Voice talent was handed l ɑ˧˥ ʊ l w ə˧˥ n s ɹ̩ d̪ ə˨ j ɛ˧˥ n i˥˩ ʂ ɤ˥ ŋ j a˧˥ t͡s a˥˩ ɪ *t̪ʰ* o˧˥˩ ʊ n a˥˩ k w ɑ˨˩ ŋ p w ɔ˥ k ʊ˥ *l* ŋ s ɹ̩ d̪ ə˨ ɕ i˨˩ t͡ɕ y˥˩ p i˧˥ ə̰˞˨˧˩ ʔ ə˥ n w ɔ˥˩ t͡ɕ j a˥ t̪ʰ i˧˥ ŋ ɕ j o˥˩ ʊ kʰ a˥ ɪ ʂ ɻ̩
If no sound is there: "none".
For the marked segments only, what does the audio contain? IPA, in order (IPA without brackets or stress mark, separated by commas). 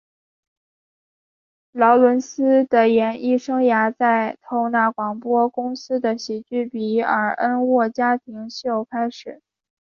t̪ʰ, none